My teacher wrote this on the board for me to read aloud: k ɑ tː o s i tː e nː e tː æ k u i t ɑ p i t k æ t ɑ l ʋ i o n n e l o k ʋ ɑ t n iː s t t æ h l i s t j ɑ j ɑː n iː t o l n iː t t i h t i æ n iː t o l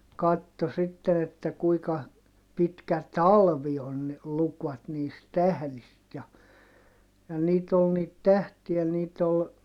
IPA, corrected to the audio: k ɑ tː o s i tː e n e tː æ k u i k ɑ p i t k æ t ɑ l ʋ i o n n e l u k ʋ ɑ t n iː s t t æ h l i s t j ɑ j ɑ n iː t o l n iː t t æ h t i æ n iː t o l